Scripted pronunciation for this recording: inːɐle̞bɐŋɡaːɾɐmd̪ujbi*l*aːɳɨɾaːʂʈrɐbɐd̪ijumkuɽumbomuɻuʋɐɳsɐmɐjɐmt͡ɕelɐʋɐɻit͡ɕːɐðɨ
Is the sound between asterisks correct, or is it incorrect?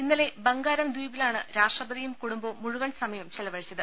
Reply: correct